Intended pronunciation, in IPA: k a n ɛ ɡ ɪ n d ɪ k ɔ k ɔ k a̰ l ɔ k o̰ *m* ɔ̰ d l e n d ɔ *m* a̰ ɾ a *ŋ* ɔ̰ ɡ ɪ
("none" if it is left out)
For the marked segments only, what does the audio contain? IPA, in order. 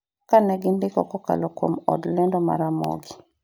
m, m, m

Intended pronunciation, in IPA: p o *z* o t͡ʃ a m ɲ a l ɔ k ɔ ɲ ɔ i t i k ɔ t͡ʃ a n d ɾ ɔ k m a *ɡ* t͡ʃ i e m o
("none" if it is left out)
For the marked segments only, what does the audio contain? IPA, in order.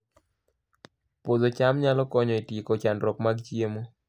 z, ɡ

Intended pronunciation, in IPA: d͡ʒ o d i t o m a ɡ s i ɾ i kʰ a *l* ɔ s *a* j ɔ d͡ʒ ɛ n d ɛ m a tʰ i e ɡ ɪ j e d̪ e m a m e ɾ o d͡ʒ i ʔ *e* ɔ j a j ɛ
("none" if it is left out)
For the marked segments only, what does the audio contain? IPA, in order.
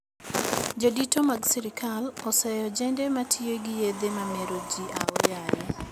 l, ɛ, a

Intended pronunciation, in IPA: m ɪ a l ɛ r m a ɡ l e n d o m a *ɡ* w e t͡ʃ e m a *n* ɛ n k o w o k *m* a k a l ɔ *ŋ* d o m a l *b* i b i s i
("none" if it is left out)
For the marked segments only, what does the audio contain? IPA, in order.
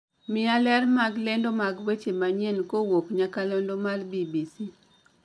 ɡ, ɲ, ɲ, n, b

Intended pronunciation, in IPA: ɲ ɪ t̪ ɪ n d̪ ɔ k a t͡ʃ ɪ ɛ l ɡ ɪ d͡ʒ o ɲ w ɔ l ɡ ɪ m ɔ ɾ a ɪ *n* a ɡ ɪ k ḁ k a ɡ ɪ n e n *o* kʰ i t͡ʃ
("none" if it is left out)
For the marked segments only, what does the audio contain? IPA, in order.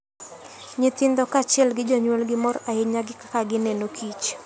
ɲ, o

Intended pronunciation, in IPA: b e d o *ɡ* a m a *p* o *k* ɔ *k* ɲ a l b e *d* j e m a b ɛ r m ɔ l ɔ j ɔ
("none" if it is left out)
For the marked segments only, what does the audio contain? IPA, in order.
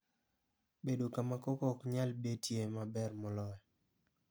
k, k, k, k, t

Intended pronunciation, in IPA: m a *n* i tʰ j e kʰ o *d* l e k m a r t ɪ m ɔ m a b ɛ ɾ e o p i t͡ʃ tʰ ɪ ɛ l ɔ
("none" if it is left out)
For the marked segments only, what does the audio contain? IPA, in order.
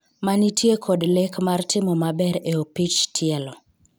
n, d

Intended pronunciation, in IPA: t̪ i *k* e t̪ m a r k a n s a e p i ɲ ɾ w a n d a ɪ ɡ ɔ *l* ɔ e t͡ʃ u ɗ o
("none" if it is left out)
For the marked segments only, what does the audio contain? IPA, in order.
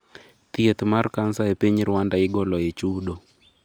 none, l

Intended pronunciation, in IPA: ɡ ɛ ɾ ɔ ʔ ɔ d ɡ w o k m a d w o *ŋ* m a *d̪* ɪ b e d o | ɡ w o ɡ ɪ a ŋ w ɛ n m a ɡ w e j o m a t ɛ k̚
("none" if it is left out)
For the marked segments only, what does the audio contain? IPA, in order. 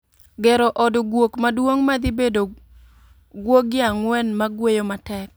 ŋ, d̪

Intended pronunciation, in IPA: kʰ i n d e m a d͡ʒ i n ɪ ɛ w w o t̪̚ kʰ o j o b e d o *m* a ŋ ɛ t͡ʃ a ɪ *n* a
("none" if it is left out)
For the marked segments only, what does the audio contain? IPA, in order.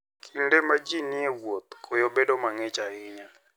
m, ɲ

